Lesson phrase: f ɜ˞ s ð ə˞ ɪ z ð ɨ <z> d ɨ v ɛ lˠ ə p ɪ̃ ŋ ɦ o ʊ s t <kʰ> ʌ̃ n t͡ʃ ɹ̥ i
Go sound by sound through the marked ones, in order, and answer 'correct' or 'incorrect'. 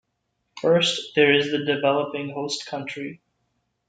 incorrect, correct

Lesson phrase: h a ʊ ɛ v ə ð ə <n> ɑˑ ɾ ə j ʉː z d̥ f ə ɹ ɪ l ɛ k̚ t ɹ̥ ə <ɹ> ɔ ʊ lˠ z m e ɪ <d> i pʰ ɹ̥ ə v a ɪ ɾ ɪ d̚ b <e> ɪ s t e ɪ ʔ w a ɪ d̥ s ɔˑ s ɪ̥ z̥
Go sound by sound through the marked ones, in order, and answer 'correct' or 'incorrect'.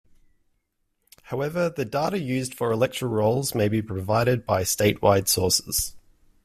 incorrect, correct, incorrect, incorrect

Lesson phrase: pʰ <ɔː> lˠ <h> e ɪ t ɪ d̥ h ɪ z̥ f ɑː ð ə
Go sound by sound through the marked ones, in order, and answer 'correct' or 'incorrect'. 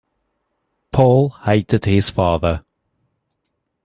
correct, correct

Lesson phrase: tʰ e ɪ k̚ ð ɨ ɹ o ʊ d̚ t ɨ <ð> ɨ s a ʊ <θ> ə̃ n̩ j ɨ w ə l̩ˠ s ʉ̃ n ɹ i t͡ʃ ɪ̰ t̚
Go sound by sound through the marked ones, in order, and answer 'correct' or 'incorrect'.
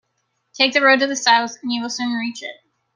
correct, correct

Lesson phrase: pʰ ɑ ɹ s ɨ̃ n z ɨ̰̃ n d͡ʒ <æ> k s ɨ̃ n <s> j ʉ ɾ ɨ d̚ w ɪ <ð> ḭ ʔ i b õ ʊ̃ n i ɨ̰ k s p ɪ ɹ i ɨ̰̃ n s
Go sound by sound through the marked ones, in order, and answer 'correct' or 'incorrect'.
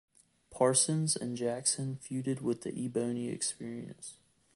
correct, incorrect, correct

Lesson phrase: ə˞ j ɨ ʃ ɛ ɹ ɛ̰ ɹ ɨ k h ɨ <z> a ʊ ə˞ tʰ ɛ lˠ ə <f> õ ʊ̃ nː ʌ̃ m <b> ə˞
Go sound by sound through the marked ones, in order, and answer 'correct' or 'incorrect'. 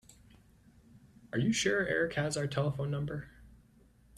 correct, correct, correct

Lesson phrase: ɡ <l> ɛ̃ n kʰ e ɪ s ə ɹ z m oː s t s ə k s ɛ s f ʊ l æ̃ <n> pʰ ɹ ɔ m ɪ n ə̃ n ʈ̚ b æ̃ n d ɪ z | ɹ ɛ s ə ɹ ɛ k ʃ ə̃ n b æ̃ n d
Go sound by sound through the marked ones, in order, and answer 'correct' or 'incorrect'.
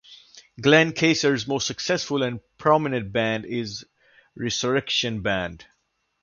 correct, correct

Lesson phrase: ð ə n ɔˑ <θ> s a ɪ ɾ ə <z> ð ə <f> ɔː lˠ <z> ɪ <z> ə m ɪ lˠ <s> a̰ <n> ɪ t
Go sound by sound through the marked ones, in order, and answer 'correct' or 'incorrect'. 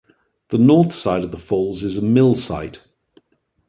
correct, incorrect, correct, correct, correct, correct, incorrect

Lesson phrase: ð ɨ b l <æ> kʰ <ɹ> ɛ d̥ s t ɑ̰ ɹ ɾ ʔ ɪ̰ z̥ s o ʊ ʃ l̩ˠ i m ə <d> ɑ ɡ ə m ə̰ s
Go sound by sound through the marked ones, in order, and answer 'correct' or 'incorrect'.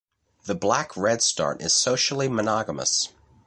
correct, correct, incorrect

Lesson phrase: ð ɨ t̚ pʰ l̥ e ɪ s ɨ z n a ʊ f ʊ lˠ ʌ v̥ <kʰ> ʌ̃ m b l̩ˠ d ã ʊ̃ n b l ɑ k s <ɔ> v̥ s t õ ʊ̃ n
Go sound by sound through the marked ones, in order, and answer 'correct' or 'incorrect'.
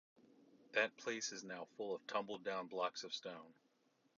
incorrect, incorrect

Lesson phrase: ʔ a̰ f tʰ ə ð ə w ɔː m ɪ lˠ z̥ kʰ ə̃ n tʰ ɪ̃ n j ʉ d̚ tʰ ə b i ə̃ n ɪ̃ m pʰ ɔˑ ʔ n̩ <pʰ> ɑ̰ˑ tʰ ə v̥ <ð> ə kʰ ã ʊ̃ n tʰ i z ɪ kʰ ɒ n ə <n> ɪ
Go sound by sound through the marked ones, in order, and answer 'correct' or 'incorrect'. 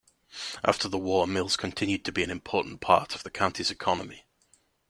correct, correct, incorrect

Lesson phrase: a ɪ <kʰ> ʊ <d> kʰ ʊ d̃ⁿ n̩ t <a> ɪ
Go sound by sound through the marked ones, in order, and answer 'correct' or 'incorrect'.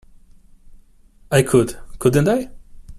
correct, correct, correct

